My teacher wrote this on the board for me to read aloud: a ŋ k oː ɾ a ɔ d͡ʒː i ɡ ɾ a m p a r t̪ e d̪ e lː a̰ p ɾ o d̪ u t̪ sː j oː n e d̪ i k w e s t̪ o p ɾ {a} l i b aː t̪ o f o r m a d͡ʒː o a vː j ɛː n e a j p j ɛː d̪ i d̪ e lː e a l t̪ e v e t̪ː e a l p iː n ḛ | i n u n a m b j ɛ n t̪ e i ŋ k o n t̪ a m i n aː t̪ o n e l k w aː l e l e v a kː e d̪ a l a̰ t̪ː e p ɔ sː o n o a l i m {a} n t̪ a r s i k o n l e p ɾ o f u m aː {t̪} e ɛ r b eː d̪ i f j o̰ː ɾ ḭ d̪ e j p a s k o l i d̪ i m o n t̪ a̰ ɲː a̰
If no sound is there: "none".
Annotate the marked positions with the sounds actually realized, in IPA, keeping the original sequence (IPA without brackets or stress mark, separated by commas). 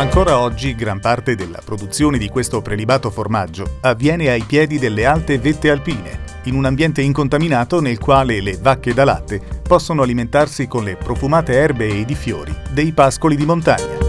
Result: e, e, t̪